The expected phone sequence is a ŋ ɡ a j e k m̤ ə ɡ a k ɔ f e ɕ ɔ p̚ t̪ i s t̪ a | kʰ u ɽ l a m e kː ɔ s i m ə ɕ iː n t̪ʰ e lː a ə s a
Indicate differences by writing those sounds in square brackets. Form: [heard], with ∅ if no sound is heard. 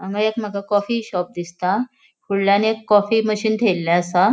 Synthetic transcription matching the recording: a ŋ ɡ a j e k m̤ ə ɡ a k ɔ f [i] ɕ ɔ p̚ [d̪] i s t̪ a | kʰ u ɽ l a [n] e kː ɔ [f] i m ə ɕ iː n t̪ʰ e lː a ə s a